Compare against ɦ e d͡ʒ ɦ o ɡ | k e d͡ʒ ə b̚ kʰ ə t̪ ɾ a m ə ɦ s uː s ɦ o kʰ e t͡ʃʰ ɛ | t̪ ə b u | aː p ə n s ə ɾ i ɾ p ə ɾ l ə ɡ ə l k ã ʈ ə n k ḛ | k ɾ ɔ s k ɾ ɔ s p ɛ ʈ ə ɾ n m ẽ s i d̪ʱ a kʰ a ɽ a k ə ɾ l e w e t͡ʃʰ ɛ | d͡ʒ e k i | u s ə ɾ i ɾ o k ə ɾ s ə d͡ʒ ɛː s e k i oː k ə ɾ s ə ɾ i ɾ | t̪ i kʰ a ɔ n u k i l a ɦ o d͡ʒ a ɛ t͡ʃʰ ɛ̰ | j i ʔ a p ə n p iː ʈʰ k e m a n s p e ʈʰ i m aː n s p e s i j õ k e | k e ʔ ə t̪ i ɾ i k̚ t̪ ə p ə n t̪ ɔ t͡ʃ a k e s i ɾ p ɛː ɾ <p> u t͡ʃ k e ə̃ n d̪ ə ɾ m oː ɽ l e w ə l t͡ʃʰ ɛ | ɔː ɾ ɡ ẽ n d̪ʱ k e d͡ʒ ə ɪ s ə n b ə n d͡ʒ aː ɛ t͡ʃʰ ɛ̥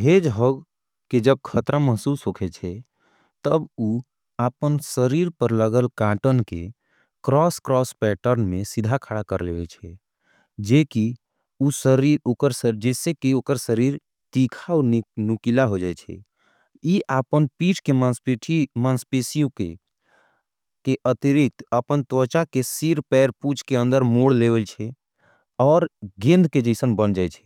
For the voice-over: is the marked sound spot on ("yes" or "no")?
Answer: yes